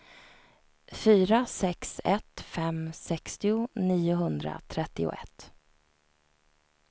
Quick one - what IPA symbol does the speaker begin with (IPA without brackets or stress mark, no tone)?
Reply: f